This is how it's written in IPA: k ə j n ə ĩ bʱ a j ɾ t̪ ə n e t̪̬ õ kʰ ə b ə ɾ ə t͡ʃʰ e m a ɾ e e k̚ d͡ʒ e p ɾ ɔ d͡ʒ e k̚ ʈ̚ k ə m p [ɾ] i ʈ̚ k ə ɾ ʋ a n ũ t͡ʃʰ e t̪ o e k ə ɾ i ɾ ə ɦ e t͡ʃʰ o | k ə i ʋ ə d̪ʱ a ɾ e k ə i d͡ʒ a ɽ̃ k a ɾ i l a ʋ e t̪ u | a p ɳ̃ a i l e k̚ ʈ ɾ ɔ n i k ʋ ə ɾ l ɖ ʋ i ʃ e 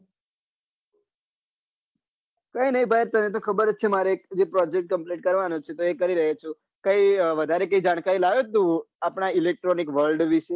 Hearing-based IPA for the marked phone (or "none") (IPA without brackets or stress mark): l